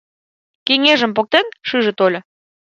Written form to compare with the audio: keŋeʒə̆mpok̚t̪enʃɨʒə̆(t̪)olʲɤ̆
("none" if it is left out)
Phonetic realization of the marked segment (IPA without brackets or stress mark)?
t̪